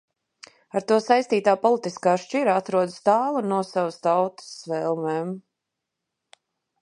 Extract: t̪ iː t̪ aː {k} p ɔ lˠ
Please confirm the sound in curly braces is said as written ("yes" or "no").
no